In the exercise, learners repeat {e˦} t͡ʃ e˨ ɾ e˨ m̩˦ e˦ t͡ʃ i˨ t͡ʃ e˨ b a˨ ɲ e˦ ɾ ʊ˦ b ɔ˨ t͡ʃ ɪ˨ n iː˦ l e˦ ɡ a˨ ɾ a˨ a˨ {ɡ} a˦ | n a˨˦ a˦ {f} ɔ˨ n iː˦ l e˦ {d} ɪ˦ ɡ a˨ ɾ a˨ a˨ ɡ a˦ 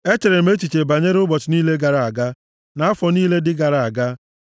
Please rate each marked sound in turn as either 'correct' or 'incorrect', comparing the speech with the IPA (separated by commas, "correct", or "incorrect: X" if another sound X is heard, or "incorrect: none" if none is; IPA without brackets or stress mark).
correct, correct, correct, correct